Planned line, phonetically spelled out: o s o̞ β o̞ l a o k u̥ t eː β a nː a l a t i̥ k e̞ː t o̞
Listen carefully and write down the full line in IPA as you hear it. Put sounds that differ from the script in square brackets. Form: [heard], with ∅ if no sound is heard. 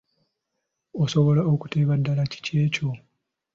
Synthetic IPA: o s o̞ β o̞ l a o k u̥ t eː β a [dː] a l a [c] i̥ [c] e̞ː [c] o̞